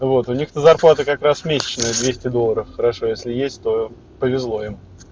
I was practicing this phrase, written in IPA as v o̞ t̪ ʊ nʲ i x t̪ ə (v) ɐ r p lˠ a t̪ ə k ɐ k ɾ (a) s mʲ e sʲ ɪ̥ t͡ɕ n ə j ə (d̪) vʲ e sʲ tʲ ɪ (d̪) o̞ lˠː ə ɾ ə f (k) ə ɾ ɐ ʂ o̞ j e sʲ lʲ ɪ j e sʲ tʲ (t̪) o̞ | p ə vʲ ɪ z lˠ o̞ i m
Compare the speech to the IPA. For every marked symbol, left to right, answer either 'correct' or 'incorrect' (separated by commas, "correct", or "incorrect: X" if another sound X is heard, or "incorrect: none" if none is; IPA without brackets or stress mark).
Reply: incorrect: z, correct, correct, correct, incorrect: x, correct